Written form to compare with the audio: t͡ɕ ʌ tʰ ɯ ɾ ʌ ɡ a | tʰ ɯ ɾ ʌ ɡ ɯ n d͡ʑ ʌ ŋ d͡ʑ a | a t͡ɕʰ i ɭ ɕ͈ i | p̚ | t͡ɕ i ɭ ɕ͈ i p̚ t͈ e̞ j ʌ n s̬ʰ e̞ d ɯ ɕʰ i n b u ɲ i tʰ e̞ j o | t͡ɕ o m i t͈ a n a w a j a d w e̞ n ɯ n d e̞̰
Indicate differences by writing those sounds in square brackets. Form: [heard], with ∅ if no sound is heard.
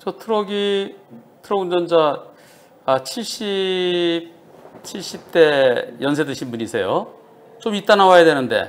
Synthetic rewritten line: t͡ɕ ʌ tʰ ɯ ɾ ʌ ɡ [i] | tʰ ɯ ɾ ʌ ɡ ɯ n d͡ʑ ʌ [n] d͡ʑ a | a t͡ɕʰ i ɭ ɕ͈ i | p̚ | [t͡ɕʰ] i ɭ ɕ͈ i p̚ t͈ e̞ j ʌ n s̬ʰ e̞ d ɯ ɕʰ i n b u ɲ i [sʰ] e̞ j o | t͡ɕ o m i t͈ a n a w a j a d w e̞ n ɯ n d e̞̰